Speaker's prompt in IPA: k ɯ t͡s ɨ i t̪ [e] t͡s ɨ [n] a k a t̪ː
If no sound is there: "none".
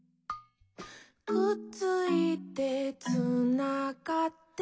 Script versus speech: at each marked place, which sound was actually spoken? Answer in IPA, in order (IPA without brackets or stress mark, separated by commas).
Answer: e, n